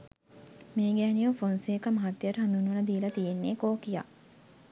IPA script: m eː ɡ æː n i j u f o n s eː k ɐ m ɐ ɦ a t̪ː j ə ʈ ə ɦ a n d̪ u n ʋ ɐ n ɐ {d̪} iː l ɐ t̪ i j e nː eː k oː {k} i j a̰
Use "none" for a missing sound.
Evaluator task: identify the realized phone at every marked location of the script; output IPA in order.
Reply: d̪, k

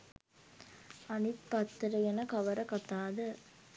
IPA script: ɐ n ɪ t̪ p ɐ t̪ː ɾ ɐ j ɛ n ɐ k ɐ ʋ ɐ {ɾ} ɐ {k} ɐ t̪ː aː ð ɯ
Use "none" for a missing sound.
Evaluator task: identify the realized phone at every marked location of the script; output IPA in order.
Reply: ɾ, k

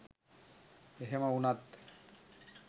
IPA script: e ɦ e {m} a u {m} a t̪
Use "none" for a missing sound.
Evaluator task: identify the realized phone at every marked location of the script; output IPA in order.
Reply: m, n

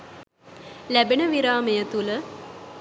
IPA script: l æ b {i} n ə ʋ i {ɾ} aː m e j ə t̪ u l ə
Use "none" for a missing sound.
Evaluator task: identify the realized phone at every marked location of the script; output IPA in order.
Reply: e, ɾ

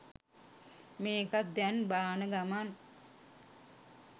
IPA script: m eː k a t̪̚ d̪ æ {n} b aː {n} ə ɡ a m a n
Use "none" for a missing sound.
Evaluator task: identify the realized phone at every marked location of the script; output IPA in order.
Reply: n, n

